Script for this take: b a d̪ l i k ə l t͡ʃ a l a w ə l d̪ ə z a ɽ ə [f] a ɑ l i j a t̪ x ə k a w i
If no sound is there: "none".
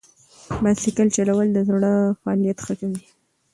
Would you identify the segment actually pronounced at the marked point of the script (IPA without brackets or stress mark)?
f